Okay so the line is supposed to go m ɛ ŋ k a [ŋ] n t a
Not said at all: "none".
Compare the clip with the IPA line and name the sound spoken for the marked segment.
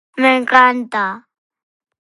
none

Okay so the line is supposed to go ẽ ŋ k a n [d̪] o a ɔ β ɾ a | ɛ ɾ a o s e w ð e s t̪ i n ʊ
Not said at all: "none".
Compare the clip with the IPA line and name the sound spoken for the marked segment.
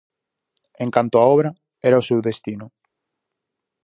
t̪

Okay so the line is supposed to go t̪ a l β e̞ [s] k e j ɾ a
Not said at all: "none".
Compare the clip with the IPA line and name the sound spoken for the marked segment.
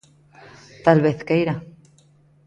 θ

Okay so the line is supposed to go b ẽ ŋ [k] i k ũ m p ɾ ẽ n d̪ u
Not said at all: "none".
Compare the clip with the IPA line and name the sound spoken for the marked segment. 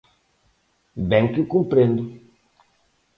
k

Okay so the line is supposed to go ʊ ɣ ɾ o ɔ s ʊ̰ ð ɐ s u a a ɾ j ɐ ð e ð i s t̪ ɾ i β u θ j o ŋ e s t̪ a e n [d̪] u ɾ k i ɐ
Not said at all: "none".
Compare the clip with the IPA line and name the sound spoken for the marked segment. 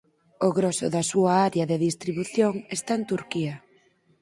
t̪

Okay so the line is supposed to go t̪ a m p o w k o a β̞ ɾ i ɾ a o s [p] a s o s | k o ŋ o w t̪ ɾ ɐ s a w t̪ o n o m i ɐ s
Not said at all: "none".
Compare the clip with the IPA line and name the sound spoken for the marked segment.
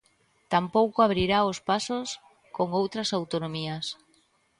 p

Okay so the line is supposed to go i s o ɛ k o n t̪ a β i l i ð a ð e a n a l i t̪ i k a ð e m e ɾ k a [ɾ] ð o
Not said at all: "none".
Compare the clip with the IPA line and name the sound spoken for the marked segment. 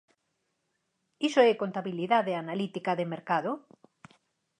none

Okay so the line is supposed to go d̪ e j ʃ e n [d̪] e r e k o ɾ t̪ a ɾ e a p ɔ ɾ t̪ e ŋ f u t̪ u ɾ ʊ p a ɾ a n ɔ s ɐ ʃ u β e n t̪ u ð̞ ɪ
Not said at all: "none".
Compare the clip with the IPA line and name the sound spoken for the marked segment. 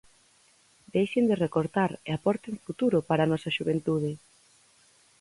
d̪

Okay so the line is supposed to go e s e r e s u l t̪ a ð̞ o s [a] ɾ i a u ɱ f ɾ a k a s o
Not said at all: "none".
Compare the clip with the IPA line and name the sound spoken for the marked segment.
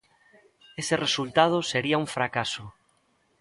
e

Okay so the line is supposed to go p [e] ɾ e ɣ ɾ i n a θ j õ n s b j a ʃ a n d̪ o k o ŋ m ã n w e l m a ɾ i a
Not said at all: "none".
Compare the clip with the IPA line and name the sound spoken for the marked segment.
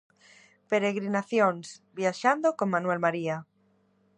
e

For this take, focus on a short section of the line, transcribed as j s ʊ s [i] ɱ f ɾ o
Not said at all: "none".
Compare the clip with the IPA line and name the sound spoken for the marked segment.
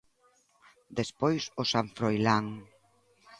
a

